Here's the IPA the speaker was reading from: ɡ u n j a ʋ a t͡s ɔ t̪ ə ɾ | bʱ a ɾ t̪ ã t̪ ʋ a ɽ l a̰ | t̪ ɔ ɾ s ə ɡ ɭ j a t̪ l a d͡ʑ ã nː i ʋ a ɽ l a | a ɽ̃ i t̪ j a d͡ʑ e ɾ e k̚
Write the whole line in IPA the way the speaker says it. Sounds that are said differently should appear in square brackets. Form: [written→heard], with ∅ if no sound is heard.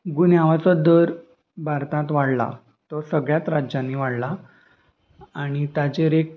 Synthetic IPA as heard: ɡ u n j a ʋ a t͡s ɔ [t̪→d̪] ə ɾ | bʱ a ɾ t̪ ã t̪ ʋ a ɽ l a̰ | t̪ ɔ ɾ s ə ɡ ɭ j a t̪ [l→ɾ] a d͡ʑ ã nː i ʋ a ɽ l a | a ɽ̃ i t̪ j a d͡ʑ e ɾ e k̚